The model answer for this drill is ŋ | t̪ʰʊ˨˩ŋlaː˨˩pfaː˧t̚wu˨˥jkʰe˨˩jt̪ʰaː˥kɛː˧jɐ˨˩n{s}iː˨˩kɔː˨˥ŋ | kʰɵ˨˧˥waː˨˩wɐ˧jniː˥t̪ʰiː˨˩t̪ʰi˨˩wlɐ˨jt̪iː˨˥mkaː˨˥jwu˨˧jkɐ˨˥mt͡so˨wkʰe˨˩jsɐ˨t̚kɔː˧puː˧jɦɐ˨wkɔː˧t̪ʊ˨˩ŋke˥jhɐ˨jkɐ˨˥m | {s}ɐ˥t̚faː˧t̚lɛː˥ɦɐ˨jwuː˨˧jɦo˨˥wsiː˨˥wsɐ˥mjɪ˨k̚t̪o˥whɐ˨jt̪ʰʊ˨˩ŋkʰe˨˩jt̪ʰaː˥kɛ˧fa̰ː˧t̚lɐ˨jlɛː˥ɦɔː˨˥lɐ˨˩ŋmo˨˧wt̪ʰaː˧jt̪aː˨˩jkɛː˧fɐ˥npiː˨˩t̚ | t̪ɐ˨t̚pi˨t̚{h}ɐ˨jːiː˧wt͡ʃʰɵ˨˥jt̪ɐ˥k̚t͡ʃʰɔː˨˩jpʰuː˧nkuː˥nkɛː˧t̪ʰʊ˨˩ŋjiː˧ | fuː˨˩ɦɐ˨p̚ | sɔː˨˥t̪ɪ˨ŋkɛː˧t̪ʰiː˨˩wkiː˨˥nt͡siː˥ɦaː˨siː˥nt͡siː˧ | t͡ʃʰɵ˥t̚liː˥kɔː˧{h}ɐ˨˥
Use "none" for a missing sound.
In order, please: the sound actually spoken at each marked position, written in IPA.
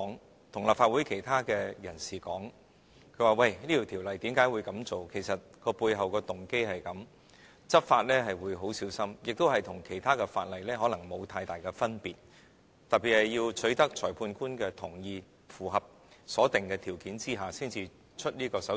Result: s, t͡s, h, s

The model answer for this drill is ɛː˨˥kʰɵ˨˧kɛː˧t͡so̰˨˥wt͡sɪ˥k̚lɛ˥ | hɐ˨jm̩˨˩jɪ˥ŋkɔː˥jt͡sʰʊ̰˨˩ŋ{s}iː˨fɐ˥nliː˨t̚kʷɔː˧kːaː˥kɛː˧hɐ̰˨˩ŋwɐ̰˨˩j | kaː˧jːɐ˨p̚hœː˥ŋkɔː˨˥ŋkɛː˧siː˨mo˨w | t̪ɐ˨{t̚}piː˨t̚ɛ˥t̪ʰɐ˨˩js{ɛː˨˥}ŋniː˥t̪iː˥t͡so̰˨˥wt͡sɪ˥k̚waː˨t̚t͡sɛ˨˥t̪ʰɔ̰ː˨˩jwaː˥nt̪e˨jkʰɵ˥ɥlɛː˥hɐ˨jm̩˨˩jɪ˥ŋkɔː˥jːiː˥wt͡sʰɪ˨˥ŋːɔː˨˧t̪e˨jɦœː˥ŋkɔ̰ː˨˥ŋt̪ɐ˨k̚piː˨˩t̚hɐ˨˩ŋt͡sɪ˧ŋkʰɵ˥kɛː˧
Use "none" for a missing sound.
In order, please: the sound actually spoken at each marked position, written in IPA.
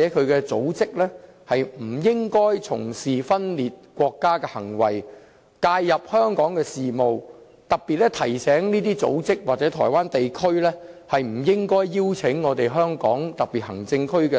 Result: s, k̚, ɛː˨˥

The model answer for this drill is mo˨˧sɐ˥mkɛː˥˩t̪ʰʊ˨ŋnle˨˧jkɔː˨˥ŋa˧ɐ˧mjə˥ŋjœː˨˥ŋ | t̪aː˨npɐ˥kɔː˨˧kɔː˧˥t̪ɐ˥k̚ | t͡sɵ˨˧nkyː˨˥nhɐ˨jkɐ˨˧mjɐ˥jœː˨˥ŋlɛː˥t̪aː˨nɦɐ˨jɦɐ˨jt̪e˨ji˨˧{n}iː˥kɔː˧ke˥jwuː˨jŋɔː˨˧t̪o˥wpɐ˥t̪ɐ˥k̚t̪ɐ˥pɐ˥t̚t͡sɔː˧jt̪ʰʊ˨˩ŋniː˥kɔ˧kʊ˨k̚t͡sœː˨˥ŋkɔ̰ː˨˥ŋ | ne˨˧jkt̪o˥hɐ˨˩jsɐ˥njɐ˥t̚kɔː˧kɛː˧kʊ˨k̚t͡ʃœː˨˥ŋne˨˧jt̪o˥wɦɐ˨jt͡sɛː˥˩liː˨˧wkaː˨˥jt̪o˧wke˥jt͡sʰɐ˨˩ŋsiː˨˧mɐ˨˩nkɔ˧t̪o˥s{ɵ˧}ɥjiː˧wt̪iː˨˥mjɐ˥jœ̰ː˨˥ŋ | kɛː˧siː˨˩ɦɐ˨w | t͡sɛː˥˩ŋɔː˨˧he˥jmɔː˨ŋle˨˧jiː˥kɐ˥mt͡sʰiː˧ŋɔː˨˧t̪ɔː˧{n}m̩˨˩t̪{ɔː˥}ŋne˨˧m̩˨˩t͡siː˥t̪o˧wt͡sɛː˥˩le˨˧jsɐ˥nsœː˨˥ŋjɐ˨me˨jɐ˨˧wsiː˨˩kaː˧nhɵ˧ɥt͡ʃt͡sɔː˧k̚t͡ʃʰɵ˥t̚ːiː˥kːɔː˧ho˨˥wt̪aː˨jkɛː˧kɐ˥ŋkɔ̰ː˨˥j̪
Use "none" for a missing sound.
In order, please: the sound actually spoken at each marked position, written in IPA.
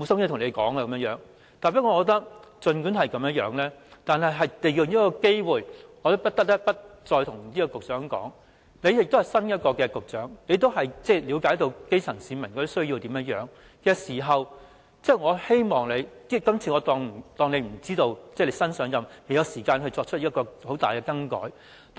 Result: n, ɵ˥, ŋ, ɔː˧

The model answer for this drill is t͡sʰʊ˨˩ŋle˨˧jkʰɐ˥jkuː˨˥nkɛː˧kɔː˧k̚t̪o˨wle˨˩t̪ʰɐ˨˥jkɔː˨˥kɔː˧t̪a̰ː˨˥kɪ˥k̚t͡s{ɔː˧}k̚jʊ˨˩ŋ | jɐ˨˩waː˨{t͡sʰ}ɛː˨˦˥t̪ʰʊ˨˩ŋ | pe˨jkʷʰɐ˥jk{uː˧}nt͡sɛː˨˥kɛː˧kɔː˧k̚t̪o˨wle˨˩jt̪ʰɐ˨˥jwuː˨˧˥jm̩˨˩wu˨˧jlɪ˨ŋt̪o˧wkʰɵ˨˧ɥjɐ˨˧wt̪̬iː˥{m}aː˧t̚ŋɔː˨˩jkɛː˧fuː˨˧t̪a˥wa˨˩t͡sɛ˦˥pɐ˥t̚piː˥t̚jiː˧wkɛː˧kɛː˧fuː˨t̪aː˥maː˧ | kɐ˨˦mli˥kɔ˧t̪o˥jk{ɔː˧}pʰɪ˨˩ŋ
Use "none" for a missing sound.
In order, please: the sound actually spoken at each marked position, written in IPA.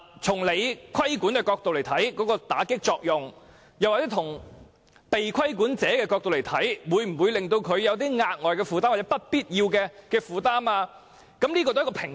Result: ɔː˧, t͡s, uː˨˥, ŋ, ɔ˧

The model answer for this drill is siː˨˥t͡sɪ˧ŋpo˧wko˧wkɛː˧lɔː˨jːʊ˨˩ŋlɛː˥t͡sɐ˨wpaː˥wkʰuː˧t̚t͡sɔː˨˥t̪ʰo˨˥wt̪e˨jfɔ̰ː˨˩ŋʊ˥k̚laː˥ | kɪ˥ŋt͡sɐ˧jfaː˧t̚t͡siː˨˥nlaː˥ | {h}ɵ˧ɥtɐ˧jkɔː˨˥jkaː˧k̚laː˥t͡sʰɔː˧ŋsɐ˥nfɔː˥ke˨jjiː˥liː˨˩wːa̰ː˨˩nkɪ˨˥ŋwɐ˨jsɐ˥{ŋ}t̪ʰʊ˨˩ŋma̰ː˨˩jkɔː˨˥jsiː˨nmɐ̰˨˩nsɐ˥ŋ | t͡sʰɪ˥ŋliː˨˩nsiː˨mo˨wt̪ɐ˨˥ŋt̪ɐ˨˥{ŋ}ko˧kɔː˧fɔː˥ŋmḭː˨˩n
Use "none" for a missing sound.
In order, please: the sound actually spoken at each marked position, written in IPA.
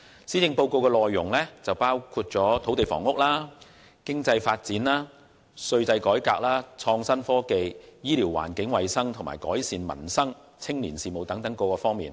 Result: s, ŋ, ŋ

